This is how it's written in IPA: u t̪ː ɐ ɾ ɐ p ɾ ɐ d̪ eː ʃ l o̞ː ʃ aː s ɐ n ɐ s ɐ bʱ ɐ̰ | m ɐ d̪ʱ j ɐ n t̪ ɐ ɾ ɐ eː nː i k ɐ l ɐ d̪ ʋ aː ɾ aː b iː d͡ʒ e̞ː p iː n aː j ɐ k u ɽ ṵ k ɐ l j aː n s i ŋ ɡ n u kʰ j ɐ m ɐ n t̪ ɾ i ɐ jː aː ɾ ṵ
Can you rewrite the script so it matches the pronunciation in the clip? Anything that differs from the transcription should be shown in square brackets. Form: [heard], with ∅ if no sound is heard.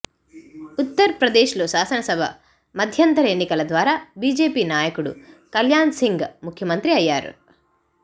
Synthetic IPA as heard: u t̪ː ɐ ɾ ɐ p ɾ ɐ d̪ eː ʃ l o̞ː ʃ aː s ɐ n ɐ s ɐ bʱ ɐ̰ | m ɐ d̪ʱ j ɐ n t̪ ɐ ɾ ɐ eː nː i k ɐ l ɐ d̪ ʋ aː ɾ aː b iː d͡ʒ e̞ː p iː n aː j ɐ k u ɽ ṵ k ɐ l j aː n s i ŋ ɡ [m] u kʰ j ɐ m ɐ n t̪ ɾ i ɐ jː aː ɾ ṵ